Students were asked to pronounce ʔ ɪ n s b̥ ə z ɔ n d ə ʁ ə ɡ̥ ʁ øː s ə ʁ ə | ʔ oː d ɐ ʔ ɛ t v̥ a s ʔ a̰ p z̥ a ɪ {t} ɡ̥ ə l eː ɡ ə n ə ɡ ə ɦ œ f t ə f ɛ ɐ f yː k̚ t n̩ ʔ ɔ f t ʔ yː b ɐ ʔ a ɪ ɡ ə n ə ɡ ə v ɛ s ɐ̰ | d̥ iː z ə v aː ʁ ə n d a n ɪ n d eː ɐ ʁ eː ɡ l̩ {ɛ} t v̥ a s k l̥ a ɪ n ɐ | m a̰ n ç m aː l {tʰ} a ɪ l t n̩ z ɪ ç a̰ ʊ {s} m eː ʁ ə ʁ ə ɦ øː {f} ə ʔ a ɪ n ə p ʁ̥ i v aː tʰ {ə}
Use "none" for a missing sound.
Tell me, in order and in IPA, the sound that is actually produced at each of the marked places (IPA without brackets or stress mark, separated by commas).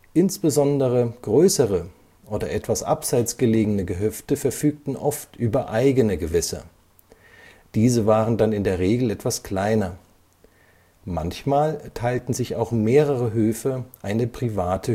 t͡s, ɛ, tʰ, x, f, ə